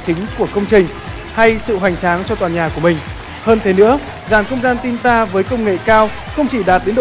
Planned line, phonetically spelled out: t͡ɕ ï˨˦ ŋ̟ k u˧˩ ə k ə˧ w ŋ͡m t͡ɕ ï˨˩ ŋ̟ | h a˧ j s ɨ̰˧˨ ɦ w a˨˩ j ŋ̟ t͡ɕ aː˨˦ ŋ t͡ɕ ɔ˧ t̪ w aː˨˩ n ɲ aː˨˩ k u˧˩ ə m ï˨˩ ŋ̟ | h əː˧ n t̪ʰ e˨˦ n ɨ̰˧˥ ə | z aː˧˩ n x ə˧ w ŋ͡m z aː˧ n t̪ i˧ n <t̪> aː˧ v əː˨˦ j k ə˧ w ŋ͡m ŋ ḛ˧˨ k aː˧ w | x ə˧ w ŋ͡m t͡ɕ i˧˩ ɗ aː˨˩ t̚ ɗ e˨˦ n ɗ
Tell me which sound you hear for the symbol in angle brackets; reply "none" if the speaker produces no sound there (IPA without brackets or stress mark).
t̪